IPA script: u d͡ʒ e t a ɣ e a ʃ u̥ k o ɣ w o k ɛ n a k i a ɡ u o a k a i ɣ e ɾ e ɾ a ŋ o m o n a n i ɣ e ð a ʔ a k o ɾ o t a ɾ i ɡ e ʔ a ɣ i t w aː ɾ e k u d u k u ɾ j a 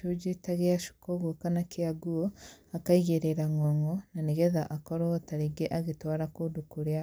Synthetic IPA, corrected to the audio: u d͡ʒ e t a ɣ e a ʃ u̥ k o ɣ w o k a n a k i a ɡ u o a k a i ɣ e ɾ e ɾ a ŋ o ŋ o n a n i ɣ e ð a ʔ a k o ɾ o t a ɾ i ɡ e ʔ a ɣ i t w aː ɾ a k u d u k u ɾ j a